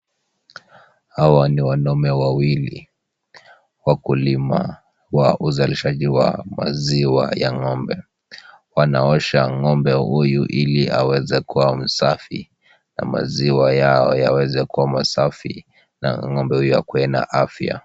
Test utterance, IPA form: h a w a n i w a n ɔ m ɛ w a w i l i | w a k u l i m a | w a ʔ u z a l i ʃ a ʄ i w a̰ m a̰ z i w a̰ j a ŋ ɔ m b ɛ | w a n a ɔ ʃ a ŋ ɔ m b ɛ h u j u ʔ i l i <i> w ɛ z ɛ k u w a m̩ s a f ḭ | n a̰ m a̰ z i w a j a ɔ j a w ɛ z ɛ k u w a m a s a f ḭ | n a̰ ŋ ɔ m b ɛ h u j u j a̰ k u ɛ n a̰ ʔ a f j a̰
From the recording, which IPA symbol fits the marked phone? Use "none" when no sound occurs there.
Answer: a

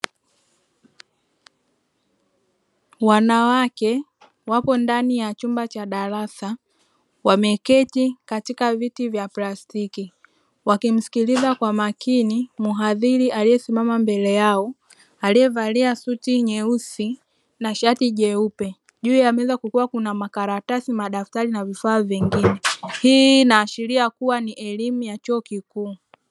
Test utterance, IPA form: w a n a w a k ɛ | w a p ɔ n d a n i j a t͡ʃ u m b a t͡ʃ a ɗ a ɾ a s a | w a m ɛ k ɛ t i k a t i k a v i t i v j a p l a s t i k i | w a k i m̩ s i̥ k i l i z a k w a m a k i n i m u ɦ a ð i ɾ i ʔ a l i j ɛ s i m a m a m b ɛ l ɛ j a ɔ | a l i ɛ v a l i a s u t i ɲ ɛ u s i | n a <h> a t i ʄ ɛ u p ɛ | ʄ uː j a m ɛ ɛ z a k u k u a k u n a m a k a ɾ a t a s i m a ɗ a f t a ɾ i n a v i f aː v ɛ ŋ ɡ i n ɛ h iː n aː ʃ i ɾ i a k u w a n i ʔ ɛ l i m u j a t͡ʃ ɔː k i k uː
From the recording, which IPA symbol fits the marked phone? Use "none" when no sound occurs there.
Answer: ʃ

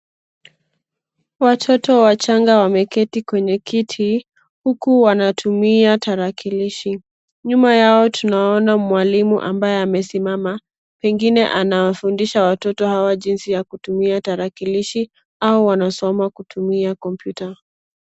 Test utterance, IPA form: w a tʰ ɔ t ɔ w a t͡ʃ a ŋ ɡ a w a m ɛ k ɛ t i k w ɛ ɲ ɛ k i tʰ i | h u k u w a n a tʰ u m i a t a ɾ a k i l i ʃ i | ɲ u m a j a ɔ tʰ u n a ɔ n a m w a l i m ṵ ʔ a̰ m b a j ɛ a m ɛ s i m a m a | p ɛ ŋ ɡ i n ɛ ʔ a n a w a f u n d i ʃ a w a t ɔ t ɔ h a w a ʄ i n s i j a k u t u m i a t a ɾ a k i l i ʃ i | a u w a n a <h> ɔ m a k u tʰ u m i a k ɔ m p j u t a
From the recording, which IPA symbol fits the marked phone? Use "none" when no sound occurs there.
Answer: s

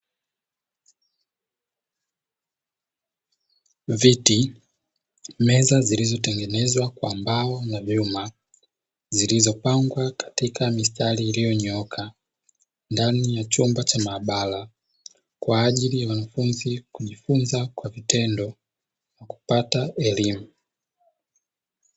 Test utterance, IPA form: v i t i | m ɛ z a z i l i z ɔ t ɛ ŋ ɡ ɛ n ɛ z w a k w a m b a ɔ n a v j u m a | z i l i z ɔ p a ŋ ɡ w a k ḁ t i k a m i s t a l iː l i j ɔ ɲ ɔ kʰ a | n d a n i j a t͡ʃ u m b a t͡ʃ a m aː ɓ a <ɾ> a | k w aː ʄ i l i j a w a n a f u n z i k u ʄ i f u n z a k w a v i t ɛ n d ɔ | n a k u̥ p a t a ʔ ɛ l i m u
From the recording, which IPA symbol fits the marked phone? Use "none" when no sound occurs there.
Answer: l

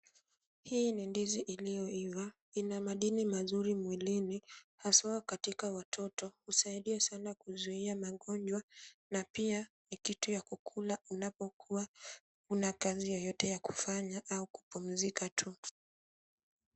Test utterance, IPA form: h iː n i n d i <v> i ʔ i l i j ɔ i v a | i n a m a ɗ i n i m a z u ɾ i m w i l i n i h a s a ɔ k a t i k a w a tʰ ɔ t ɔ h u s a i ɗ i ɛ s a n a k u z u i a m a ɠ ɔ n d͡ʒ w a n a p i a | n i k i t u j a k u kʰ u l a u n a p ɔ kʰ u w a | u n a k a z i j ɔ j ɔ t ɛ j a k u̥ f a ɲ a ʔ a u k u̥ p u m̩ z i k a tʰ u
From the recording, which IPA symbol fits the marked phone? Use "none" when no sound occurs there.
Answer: z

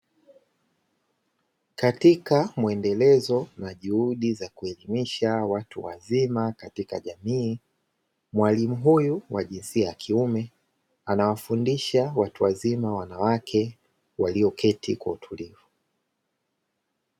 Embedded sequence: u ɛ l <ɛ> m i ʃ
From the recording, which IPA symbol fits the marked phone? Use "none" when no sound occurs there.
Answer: i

